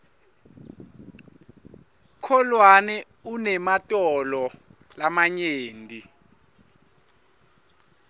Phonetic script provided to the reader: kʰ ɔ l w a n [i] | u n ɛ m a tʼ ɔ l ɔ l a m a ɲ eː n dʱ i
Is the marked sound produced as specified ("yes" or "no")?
no